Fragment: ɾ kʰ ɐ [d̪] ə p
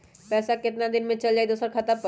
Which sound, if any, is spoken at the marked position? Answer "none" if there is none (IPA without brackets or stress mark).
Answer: t̪